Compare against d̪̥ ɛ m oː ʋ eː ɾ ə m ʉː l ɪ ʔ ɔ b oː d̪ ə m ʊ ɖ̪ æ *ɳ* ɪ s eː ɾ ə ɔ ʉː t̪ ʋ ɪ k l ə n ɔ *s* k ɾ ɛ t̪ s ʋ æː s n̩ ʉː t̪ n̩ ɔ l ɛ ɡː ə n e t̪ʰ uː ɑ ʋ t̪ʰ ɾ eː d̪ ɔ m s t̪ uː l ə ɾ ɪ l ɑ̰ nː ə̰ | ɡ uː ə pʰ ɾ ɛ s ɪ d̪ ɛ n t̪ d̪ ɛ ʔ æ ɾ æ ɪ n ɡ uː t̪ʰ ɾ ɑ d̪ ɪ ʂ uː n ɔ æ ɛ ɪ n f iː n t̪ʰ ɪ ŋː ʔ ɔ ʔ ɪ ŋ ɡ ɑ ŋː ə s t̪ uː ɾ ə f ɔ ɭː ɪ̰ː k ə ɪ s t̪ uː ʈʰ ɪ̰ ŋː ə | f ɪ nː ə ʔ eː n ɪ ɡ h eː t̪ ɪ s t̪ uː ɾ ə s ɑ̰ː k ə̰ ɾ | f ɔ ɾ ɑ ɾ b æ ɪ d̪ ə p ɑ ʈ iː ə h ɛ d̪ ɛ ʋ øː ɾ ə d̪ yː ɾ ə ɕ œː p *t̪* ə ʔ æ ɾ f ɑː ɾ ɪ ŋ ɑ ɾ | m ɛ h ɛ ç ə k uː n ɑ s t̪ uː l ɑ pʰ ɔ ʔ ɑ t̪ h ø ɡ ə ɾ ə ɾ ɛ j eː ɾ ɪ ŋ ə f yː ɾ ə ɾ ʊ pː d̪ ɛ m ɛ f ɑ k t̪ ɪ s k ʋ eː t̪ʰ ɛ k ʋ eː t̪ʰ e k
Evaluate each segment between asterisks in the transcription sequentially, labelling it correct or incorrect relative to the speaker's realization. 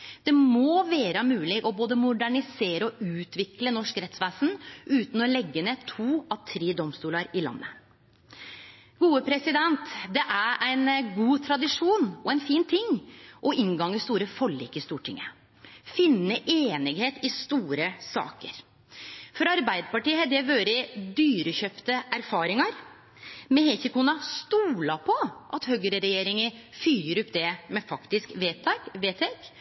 correct, incorrect: ʂ, correct

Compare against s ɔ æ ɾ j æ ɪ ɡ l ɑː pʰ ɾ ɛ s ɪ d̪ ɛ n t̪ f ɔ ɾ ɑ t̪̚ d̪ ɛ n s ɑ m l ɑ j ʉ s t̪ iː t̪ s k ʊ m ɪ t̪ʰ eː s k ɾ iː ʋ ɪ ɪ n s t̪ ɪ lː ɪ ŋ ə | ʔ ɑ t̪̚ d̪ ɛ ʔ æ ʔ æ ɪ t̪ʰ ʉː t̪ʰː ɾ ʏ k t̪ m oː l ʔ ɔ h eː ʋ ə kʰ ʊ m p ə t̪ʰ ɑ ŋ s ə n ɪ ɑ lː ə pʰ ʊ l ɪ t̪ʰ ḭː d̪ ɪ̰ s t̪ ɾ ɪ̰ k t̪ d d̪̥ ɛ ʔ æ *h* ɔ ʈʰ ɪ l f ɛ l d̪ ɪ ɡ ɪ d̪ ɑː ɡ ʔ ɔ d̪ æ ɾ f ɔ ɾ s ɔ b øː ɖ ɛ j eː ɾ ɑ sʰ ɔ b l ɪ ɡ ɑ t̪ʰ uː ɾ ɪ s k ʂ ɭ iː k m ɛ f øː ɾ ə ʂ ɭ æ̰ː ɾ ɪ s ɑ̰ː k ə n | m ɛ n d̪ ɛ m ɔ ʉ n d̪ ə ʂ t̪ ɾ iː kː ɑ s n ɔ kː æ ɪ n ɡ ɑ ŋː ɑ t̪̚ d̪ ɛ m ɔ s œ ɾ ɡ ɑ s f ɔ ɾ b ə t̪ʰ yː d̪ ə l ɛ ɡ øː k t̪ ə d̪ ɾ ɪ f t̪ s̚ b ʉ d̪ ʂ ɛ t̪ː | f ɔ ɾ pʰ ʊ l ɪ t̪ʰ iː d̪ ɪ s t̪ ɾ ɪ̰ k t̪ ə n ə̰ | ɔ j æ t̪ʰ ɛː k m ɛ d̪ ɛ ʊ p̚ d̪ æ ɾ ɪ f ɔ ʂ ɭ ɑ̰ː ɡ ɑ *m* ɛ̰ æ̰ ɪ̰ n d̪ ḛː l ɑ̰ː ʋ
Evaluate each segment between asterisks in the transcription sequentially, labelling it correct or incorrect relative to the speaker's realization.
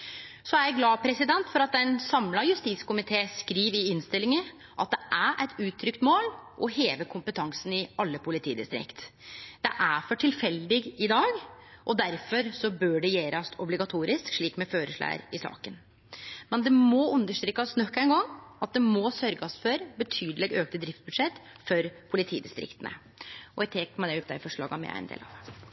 incorrect: f, correct

